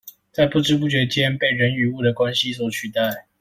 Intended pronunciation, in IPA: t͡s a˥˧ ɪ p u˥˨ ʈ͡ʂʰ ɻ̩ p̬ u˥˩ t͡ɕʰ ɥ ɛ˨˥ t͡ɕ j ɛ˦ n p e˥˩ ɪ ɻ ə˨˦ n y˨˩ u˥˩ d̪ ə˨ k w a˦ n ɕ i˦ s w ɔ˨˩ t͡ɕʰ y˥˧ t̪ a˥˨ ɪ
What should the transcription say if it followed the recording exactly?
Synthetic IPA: t͡s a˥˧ ɪ p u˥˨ ʈ͡ʂ ɻ̩ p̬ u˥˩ t͡ɕ ɥ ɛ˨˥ t͡ɕ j ɛ˦ n p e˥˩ ɪ ɻ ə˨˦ n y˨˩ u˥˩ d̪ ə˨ k w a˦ n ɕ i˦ s w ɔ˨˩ t͡ɕʰ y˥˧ t̪ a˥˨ ɪ